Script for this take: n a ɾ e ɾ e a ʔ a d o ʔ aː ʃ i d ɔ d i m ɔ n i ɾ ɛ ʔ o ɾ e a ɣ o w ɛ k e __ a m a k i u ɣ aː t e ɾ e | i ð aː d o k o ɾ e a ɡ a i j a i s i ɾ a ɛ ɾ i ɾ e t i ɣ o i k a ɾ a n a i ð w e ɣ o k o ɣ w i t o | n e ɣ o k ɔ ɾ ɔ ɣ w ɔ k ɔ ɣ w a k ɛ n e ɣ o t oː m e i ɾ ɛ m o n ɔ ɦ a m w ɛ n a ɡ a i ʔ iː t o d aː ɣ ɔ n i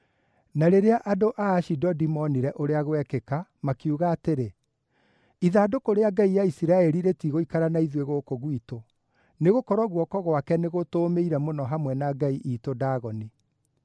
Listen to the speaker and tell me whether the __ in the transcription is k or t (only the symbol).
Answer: k